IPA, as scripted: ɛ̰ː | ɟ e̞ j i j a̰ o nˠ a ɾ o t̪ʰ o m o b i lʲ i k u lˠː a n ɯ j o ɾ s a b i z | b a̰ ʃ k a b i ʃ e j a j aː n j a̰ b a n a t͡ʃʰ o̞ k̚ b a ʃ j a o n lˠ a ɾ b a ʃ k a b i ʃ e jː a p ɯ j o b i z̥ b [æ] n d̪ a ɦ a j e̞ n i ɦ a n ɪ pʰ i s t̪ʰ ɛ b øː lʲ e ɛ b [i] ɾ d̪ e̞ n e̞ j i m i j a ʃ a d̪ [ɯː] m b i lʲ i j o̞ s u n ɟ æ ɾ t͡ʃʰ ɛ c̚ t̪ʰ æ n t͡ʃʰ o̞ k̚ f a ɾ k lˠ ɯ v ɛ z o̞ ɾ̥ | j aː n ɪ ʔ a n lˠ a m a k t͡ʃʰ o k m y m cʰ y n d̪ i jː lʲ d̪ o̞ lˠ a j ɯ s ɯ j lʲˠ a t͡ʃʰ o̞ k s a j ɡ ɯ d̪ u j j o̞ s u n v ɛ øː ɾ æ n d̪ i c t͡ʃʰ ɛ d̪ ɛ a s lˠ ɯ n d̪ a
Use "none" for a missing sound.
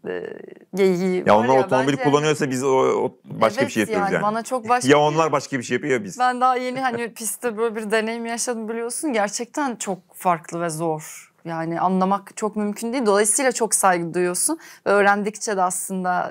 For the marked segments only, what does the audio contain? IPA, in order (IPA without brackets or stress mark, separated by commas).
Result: æ, i, ɯ